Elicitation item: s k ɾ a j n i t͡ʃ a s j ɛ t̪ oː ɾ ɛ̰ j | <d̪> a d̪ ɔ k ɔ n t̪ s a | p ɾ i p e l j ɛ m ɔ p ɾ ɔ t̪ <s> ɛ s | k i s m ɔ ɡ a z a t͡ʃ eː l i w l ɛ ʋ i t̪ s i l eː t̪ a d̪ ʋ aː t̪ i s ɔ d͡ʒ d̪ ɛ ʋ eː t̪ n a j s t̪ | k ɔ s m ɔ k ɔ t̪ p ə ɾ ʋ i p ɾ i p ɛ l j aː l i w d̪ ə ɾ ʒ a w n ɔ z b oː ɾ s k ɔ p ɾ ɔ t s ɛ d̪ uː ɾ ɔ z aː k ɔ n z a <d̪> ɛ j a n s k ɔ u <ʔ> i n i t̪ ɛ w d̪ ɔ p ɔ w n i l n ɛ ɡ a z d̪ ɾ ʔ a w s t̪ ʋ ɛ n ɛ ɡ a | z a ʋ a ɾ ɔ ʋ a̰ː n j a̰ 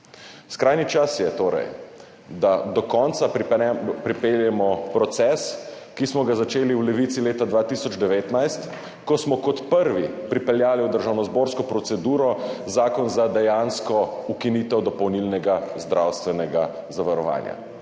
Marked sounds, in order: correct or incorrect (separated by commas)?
correct, correct, correct, incorrect